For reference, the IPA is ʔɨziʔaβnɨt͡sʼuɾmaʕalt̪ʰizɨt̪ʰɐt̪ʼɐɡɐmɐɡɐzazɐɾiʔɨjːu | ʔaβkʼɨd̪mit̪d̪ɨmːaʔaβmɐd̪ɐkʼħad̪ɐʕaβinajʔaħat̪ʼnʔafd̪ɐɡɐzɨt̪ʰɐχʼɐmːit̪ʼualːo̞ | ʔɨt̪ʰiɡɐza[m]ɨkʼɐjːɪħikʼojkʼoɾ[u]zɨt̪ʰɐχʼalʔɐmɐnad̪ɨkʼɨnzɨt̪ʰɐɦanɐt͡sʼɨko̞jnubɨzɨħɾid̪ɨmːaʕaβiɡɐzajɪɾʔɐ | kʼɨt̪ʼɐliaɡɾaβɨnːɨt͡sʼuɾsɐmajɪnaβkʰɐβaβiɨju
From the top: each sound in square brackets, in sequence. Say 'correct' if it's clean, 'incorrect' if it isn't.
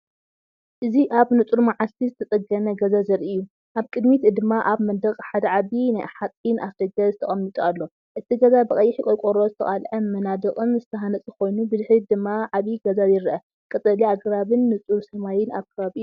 incorrect, incorrect

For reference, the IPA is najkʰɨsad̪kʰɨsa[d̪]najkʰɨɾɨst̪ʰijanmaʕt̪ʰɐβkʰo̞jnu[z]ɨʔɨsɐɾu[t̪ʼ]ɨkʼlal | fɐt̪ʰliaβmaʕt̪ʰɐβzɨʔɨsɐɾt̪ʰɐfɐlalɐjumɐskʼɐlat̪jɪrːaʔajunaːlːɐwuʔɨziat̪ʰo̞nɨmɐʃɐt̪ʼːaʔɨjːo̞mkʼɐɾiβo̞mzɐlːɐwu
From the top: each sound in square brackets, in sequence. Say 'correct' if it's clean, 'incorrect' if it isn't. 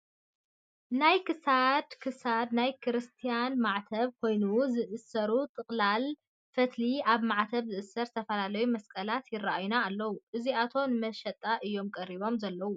correct, correct, correct

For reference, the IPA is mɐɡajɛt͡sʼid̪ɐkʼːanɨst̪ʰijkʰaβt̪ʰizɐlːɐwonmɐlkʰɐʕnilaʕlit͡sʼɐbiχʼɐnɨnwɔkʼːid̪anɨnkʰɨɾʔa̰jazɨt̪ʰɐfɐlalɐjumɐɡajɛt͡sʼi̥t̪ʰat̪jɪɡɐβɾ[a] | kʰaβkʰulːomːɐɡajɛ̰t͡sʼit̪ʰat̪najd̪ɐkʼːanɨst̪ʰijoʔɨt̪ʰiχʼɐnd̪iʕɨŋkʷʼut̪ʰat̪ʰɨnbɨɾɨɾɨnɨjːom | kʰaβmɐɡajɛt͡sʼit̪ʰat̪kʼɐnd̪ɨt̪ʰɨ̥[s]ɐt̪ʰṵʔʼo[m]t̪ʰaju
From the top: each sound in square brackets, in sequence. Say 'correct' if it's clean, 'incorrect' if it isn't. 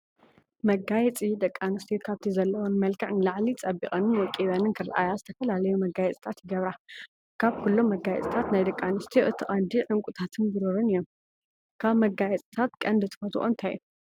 correct, incorrect, incorrect

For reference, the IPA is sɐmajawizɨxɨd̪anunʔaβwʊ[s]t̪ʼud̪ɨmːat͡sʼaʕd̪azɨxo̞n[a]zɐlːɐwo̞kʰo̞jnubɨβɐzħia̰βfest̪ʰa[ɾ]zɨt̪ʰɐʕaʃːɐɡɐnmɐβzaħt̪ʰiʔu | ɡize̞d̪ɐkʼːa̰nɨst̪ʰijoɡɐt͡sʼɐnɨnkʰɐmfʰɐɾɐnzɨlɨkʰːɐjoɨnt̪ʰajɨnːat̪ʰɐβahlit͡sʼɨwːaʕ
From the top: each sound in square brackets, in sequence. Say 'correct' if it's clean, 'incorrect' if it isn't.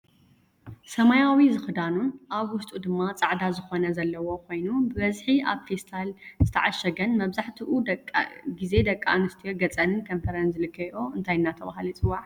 correct, incorrect, incorrect

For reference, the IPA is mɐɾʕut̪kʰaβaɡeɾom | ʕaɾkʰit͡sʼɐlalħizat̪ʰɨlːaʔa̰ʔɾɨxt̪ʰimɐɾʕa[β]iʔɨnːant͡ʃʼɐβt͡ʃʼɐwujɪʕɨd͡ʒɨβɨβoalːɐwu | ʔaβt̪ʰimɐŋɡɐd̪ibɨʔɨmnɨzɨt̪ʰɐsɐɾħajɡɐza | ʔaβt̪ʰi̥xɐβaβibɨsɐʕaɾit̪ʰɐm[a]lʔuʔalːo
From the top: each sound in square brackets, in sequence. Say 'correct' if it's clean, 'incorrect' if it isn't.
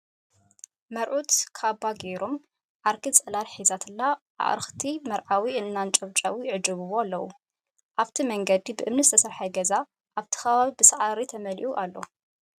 incorrect, incorrect

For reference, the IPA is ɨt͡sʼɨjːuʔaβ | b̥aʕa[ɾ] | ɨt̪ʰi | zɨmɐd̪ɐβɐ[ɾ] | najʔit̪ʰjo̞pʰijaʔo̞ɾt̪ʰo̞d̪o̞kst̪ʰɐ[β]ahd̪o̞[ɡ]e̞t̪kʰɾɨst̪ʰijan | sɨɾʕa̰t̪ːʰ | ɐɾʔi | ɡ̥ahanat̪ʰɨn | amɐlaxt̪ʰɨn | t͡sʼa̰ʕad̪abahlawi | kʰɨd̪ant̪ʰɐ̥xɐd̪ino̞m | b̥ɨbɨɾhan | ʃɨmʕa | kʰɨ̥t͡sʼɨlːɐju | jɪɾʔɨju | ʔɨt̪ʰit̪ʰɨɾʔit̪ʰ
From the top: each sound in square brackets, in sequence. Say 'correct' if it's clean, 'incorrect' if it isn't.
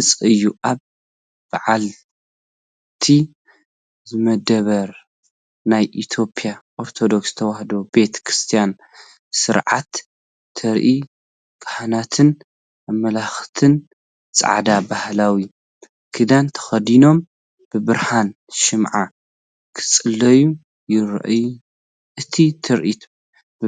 incorrect, correct, incorrect, incorrect

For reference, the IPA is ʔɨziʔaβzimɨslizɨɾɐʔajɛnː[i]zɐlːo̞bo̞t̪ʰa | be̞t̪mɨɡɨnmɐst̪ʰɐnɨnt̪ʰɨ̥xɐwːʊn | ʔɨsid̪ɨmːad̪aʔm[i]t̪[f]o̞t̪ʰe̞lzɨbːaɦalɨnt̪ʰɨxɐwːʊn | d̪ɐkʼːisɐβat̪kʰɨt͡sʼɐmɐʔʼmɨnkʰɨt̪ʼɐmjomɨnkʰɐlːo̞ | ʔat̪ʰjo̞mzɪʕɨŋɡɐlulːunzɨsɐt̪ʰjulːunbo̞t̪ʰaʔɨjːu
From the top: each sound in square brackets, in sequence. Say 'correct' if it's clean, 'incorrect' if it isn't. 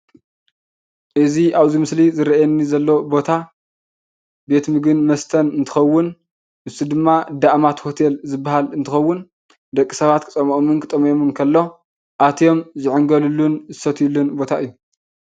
correct, incorrect, incorrect

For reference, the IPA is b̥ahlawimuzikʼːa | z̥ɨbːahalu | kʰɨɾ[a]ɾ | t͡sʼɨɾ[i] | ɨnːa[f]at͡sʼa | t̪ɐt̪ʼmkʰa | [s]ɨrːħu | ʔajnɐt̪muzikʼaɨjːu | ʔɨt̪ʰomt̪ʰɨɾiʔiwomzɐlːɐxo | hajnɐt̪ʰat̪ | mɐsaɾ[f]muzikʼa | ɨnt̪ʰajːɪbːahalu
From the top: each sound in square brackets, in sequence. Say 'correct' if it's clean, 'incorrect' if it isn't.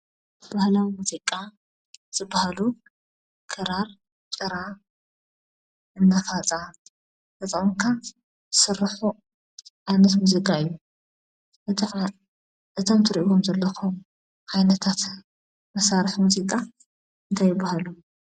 correct, incorrect, correct, correct, incorrect

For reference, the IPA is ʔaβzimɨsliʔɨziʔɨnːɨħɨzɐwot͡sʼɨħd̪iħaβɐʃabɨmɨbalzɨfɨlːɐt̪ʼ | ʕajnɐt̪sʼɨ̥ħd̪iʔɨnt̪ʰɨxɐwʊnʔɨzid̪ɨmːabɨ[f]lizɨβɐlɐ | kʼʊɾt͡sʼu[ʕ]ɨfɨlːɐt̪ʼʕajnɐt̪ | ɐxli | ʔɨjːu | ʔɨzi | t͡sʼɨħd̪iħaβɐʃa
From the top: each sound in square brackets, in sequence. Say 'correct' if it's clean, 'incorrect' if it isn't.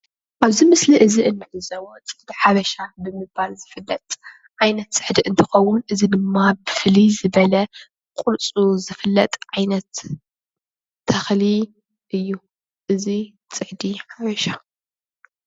correct, incorrect

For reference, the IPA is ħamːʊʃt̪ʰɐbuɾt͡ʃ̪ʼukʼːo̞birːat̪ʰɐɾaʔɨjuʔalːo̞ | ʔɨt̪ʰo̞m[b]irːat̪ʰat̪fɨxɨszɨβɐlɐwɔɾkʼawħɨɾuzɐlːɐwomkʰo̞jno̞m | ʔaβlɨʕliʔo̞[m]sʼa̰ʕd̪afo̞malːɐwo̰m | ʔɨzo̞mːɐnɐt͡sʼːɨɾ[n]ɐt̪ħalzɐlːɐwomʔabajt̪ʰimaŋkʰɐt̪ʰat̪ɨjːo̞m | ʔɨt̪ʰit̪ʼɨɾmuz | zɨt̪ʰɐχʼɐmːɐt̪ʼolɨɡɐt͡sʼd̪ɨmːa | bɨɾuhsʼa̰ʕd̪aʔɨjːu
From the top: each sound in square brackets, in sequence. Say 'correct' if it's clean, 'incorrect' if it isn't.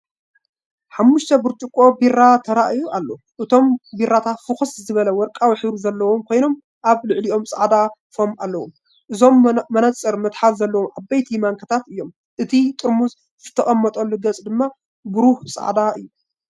correct, correct, incorrect

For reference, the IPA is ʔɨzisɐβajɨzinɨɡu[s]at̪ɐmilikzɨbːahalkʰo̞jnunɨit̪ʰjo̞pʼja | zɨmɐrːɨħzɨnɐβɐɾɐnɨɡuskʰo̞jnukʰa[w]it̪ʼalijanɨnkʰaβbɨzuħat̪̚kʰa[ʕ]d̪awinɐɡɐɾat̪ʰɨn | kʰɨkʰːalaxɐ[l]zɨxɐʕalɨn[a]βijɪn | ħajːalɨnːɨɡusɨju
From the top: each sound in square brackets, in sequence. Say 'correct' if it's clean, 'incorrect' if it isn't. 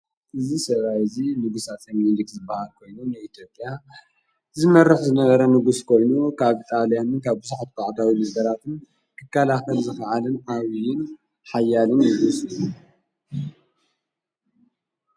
correct, incorrect, correct, correct, correct

